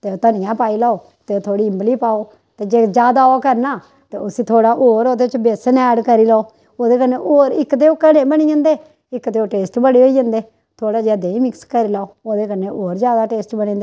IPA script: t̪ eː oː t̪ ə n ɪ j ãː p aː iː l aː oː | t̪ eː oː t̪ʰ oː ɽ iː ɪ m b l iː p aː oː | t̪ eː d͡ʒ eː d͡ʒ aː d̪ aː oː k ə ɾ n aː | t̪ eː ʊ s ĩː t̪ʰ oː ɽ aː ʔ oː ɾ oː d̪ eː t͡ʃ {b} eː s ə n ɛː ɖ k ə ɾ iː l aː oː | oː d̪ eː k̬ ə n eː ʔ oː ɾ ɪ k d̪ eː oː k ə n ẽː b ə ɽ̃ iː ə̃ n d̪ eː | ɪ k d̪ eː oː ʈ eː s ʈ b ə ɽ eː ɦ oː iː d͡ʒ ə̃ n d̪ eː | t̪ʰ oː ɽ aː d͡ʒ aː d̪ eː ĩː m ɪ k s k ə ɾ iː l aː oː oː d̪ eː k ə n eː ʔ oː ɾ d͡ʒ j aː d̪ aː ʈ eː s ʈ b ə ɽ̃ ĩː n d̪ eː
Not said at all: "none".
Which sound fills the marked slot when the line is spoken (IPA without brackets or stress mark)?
b